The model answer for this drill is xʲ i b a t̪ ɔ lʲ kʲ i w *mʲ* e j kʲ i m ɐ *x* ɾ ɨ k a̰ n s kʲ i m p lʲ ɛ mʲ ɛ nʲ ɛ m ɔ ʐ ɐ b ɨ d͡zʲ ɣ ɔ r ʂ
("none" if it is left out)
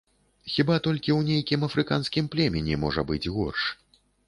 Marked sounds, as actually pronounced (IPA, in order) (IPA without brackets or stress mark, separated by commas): nʲ, f